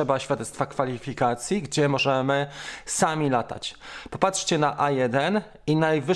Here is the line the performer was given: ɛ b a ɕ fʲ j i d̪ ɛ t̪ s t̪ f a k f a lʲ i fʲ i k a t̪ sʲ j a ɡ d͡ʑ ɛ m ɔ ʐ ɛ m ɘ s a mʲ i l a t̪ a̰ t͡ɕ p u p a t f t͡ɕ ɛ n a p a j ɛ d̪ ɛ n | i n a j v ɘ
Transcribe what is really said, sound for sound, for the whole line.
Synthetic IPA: ɛ b a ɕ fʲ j a d̪ ɛ t̪ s t̪ f a k f a lʲ i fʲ i k a t̪ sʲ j i ɡ d͡ʑ ɛ m ɔ ʐ ɛ m ɘ s a mʲ i l a t̪ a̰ t͡ɕ p ɔ p a t ʂ t͡ɕ ɛ n a ʔ a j ɛ d̪ ɛ n | i n a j v ɘ